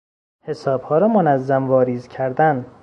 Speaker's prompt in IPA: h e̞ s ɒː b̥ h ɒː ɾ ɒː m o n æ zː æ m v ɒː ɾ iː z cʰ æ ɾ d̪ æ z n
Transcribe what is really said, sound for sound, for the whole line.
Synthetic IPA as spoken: h e̞ s ɒː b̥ h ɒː ɾ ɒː m o n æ zː æ m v ɒː ɾ iː z cʰ æ ɾ d̪ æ n